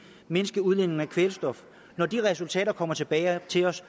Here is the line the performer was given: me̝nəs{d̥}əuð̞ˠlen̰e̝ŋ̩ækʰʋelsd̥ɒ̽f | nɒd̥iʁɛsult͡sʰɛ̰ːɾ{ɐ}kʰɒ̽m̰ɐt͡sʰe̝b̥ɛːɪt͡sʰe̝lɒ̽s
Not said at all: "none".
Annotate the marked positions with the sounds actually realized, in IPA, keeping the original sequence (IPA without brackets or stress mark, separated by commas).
ɡ̥, ɐ